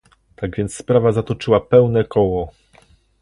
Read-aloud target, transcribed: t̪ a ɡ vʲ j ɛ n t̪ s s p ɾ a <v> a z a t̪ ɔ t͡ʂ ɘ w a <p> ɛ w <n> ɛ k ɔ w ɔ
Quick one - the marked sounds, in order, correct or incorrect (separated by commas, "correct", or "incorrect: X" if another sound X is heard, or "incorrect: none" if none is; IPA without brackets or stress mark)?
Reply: correct, correct, correct